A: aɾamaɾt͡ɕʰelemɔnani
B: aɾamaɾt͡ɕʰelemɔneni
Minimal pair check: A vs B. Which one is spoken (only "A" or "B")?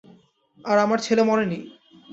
B